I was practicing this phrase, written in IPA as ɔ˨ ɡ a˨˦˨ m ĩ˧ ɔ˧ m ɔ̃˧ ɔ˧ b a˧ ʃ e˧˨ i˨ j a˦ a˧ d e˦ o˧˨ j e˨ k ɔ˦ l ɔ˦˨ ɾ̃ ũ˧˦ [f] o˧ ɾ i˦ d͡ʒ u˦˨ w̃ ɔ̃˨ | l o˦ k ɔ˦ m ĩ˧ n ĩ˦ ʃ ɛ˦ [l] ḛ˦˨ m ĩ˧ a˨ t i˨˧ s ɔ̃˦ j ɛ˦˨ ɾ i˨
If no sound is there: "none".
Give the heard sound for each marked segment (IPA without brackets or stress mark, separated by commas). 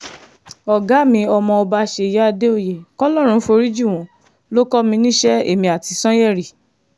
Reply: f, none